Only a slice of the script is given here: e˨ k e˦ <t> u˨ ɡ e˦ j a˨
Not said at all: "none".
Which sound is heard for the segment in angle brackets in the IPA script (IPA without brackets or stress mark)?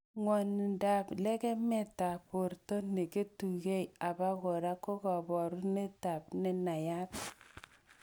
t